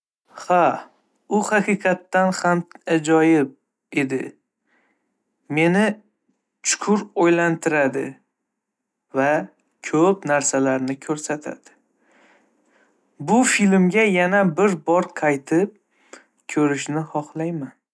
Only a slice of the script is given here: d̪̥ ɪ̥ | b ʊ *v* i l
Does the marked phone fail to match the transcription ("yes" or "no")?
yes